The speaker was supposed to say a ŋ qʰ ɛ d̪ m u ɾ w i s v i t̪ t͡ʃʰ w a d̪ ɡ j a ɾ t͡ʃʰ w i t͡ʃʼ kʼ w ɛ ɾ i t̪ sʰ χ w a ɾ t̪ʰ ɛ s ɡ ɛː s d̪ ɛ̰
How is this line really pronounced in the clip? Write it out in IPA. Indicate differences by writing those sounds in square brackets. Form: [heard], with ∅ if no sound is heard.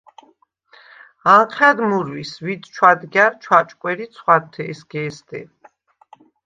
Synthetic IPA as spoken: a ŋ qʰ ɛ d̪ m u ɾ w i s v i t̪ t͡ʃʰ w a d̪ ɡ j a ɾ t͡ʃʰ w [a] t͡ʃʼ kʼ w ɛ ɾ i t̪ sʰ χ w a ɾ t̪ʰ ɛ s ɡ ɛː s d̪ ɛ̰